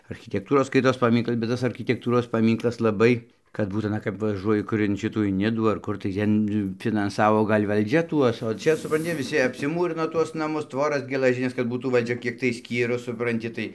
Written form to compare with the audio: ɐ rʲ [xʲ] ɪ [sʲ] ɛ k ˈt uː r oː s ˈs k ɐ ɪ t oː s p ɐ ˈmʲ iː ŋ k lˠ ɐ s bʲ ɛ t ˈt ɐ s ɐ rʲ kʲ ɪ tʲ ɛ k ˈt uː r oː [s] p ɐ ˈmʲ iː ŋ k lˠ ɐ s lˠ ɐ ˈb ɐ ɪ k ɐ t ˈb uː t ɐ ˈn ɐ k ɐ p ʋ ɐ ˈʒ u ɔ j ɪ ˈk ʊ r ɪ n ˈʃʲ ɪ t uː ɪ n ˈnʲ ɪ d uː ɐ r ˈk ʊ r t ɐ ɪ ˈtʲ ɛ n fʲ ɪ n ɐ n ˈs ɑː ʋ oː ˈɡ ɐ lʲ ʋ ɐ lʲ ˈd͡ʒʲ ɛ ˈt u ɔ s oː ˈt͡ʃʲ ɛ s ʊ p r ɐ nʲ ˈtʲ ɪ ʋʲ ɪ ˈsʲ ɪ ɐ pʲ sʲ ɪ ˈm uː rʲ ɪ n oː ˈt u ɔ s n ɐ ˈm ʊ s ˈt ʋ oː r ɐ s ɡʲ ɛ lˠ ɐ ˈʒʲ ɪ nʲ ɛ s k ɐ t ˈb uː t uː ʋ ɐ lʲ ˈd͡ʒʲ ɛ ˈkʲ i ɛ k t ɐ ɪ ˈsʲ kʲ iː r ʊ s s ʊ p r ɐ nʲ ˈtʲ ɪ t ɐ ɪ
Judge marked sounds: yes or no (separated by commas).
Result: yes, no, yes